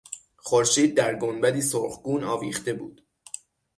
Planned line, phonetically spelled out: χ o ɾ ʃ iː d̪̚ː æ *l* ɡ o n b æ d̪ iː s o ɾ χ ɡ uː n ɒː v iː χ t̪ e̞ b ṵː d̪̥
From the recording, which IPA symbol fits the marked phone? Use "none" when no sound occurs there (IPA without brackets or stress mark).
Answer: ɾ